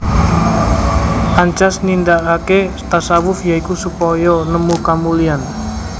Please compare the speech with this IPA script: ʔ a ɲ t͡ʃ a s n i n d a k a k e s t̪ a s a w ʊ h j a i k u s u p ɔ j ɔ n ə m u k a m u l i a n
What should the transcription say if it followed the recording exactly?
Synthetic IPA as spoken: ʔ a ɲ t͡ʃ a s n i n d a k a k e s t̪ a s a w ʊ f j a i k u s u p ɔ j ɔ n ə m u k a m u l i a n